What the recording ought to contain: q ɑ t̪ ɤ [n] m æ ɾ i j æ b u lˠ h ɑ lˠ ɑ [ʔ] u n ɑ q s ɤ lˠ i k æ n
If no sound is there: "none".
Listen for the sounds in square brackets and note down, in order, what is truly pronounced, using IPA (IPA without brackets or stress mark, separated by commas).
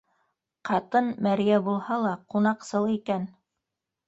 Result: n, q